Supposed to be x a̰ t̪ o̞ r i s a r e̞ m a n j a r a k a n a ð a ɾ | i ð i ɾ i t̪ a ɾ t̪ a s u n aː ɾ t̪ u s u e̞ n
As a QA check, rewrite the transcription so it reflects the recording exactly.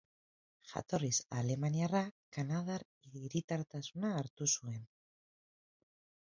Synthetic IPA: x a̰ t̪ o̞ r i s a l e̞ m a n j a r a k a n a ð a ɾ | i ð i ɾ i t̪ a ɾ t̪ a s u n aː ɾ t̪ u s u e̞ n

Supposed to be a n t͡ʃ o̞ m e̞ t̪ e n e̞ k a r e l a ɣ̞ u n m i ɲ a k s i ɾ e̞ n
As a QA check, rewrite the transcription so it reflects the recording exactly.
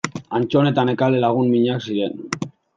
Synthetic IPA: a n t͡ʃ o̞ n e̞ t̪ a n e̞ k a l e l a ɣ̞ u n m i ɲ a k s i ɾ e̞ n

